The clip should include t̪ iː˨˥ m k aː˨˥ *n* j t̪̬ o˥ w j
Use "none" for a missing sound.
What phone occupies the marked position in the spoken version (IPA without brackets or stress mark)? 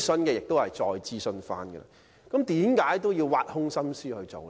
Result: none